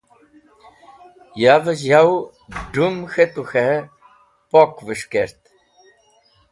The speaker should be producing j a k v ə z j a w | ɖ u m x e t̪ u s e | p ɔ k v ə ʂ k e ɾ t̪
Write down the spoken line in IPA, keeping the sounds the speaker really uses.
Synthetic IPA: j a v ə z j a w | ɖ u m x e t̪ u x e | p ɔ k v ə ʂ k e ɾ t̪